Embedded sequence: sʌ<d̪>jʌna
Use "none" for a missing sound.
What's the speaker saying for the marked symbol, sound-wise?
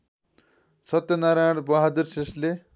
t̪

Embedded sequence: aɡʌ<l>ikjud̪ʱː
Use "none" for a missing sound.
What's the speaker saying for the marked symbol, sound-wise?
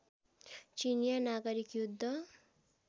ɾ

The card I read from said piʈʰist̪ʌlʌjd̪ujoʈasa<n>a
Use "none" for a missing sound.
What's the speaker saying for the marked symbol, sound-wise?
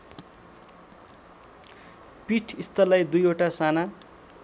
n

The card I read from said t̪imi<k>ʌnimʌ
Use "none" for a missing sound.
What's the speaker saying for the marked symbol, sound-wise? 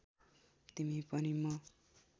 p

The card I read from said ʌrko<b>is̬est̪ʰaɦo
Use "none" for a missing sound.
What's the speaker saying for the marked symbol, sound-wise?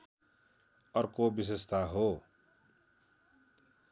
b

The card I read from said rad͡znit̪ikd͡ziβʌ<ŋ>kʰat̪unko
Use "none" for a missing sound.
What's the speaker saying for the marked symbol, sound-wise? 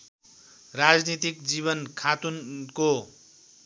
n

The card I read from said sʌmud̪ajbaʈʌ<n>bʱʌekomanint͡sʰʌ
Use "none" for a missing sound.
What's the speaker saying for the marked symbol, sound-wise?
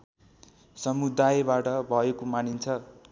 none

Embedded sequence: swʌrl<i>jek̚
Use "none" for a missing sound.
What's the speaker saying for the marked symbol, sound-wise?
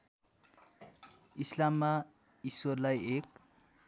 a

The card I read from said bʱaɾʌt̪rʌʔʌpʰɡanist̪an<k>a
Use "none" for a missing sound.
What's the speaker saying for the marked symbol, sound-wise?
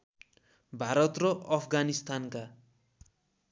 k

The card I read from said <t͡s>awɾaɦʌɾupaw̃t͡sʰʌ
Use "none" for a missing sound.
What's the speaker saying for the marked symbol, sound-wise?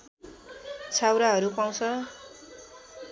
t͡sʰ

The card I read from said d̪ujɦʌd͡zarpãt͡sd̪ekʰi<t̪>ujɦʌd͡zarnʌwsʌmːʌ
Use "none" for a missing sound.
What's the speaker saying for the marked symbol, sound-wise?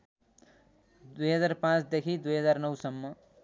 d̪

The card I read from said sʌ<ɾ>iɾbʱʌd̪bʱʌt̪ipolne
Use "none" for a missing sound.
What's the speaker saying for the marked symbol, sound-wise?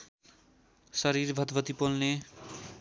ɾ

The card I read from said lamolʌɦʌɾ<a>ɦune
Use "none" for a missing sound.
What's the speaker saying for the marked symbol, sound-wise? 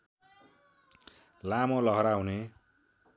a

